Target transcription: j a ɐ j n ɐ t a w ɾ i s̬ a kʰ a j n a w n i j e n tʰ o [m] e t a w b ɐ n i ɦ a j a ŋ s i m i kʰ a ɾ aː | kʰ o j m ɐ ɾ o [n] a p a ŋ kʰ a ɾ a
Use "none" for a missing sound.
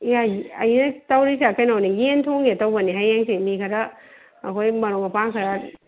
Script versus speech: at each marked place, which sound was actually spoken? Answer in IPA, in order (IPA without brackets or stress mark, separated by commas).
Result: ŋ, ŋ